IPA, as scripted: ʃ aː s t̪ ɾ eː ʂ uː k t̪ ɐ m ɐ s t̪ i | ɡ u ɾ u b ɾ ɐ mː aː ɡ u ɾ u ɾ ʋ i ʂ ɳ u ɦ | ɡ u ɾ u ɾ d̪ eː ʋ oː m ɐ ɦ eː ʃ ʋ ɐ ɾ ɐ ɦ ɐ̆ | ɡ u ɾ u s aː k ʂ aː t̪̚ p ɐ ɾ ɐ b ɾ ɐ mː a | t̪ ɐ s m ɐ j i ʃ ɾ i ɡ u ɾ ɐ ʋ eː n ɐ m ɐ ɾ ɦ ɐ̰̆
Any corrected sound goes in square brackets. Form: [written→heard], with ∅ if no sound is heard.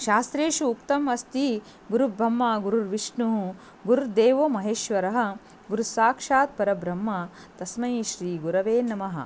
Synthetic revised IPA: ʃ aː s t̪ ɾ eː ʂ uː k t̪ ɐ m ɐ s t̪ i | ɡ u ɾ u b ɾ ɐ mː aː ɡ u ɾ u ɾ ʋ i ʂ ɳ u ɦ | ɡ u ɾ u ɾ d̪ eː ʋ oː m ɐ ɦ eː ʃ ʋ ɐ ɾ ɐ ɦ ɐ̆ | ɡ u ɾ u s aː k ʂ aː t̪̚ p ɐ ɾ ɐ b ɾ ɐ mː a | t̪ ɐ s m ɐ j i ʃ ɾ [i→iː] ɡ u ɾ ɐ ʋ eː n ɐ m ɐ [ɾ→∅] ɦ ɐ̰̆